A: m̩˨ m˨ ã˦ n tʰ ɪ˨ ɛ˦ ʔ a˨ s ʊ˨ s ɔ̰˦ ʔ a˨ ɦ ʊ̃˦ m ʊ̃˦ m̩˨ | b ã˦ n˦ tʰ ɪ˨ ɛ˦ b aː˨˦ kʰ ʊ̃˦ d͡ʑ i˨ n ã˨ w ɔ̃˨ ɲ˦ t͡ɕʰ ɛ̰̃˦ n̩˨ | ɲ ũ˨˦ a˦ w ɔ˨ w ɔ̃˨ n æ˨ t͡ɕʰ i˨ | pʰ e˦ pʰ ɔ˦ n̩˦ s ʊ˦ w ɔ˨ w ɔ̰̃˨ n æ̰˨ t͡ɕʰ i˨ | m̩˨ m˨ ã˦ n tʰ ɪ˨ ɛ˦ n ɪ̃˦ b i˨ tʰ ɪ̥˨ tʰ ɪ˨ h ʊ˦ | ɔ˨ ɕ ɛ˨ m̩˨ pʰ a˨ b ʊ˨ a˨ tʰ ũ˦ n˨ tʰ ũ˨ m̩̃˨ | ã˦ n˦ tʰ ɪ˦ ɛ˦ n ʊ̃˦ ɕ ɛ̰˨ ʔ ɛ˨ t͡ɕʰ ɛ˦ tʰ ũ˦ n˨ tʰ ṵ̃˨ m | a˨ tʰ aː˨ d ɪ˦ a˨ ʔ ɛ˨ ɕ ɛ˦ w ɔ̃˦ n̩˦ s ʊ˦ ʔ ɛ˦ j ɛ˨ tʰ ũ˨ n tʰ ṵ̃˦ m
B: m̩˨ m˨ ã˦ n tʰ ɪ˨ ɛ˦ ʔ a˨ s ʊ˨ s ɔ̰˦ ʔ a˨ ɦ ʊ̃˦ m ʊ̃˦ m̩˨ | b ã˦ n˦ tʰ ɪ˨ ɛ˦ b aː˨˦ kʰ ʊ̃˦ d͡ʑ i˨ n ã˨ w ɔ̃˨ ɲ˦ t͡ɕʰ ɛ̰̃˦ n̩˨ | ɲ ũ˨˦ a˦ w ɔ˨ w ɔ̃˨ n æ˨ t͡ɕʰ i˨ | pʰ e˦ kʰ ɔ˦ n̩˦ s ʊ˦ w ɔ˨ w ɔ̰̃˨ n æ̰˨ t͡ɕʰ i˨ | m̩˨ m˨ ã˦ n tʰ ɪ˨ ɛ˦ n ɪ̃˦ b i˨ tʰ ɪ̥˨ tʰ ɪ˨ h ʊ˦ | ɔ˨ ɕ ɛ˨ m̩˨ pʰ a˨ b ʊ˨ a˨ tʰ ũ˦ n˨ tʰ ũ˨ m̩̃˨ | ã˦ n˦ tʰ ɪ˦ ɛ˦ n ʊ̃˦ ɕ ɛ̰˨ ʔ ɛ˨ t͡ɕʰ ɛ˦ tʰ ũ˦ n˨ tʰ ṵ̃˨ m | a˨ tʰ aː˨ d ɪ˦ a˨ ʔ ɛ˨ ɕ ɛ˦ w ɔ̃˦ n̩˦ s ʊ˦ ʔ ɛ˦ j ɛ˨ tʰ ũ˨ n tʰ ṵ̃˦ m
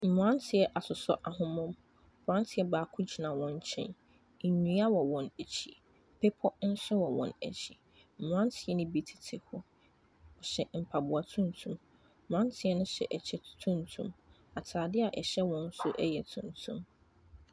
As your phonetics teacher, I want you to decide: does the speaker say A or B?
A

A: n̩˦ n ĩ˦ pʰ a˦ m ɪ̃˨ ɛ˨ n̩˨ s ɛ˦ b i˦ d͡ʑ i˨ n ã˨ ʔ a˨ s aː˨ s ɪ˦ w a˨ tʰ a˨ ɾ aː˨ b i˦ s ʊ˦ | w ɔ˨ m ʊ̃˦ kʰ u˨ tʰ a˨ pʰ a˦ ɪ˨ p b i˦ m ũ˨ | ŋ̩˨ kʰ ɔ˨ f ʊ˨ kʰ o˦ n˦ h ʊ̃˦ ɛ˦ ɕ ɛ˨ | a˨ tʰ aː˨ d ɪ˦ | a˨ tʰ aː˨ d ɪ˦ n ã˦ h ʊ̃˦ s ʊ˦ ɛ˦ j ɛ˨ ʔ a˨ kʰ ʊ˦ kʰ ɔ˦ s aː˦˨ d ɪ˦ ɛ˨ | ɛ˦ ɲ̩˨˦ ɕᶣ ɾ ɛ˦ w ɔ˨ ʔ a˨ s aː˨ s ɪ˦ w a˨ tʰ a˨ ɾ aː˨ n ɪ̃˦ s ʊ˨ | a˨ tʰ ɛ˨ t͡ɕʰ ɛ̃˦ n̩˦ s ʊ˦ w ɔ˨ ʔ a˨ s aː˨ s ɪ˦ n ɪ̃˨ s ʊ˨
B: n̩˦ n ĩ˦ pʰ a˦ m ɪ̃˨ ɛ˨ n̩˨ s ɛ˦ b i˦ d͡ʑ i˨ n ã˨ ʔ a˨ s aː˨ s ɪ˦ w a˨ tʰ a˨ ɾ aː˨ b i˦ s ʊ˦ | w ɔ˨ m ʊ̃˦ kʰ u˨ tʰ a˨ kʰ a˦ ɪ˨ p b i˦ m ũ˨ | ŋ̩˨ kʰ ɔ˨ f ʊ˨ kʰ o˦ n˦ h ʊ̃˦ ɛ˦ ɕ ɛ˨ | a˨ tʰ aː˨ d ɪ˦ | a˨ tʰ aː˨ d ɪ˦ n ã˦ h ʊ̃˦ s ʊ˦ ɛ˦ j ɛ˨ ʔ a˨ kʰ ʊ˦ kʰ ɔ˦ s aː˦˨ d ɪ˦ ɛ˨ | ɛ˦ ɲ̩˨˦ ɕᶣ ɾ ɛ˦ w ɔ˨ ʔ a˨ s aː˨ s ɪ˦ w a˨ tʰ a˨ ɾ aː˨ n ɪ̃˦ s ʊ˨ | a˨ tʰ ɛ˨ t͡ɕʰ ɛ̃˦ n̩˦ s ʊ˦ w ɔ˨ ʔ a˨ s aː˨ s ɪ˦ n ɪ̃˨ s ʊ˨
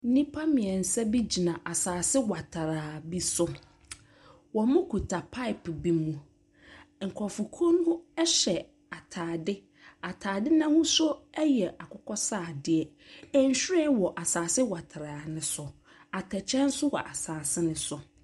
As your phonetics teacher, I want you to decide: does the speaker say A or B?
A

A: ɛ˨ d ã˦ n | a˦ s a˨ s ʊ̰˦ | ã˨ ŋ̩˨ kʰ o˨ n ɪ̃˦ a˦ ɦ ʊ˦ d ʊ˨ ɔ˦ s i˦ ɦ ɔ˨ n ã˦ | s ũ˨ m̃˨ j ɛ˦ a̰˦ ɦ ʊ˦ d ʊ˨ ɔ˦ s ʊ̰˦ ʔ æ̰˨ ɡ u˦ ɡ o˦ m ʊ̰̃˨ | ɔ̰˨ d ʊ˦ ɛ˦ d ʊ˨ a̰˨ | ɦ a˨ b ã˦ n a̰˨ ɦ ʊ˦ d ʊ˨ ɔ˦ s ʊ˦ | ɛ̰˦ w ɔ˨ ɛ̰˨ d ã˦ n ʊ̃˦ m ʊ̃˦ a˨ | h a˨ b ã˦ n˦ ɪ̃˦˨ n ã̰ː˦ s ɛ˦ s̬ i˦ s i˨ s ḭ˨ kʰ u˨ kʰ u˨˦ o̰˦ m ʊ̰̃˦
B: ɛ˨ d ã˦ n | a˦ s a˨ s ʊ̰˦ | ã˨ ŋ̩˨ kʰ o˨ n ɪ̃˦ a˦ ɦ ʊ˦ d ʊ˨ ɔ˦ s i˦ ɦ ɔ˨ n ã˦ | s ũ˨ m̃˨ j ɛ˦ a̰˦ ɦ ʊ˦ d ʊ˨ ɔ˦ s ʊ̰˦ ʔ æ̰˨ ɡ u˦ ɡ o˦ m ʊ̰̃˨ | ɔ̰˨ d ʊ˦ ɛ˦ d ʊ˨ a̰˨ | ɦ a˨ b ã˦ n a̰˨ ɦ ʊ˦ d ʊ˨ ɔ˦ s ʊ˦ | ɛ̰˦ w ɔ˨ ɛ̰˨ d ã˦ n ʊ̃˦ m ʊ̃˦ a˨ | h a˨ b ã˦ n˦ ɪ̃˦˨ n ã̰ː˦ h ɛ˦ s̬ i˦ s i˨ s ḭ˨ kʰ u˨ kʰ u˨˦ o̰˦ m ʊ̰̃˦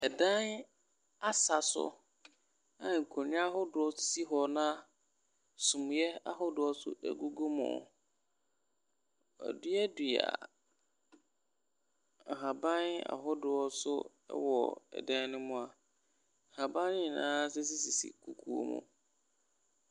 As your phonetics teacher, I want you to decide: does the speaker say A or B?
A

